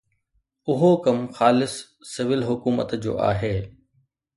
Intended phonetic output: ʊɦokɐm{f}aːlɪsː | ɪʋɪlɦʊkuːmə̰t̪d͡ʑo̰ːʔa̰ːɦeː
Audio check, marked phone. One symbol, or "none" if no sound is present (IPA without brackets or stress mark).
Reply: x